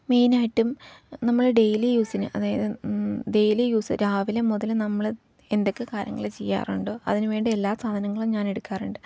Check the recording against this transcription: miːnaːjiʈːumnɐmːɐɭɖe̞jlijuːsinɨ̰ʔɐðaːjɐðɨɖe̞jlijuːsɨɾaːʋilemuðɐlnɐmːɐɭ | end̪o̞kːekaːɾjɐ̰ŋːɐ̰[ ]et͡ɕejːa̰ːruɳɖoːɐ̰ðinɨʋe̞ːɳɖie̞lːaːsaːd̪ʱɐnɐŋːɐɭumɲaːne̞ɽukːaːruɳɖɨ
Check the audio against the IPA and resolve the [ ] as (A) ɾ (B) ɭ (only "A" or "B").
B